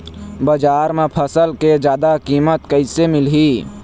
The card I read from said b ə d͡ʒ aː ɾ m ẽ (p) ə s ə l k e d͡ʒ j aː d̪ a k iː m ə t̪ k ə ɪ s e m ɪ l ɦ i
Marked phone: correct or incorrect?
incorrect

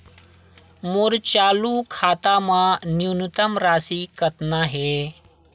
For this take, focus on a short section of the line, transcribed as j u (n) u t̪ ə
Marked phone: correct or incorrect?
correct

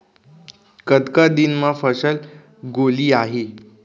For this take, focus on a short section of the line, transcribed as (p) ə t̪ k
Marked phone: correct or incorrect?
incorrect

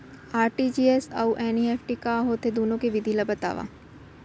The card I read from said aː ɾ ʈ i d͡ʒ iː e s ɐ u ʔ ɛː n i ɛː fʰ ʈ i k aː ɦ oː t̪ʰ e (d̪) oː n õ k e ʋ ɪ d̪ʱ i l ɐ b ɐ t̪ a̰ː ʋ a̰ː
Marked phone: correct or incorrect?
correct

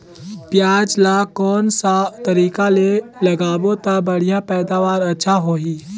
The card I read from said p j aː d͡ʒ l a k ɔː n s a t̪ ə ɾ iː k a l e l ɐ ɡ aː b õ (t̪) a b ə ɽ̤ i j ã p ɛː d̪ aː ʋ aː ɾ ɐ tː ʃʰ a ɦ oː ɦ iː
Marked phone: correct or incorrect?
correct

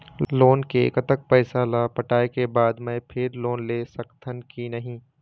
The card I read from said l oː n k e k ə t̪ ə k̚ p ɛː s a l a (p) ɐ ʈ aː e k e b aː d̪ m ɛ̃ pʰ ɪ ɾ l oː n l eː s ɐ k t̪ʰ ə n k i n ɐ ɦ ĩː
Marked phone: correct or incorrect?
correct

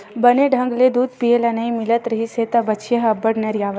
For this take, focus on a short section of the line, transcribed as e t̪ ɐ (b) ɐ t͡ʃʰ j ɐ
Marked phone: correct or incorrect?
correct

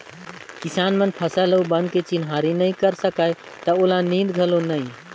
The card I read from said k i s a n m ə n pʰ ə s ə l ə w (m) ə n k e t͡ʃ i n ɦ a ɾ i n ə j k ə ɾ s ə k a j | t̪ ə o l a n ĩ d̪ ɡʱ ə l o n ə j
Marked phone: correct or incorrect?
incorrect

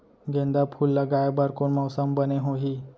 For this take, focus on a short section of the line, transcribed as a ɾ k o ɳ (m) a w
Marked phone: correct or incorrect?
correct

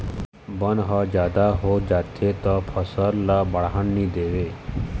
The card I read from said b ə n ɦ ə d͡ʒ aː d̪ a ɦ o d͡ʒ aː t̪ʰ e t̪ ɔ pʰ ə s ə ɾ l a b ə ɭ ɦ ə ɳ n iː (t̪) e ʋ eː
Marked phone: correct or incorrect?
incorrect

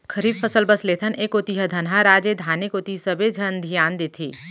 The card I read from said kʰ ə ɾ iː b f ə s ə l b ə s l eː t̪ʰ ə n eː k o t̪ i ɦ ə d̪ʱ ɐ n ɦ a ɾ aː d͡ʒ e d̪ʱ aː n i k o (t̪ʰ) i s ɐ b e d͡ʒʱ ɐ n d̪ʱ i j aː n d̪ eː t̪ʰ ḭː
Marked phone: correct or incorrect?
incorrect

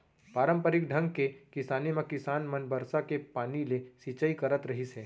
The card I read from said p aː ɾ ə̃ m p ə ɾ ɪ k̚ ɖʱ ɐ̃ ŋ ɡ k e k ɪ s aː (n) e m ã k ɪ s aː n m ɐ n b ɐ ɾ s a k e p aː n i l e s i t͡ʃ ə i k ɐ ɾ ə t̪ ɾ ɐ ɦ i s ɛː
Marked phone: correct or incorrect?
correct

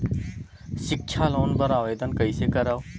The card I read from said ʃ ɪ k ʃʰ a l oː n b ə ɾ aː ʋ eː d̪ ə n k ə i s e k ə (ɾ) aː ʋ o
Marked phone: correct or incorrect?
correct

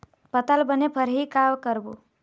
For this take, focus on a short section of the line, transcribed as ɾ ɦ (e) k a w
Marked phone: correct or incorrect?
incorrect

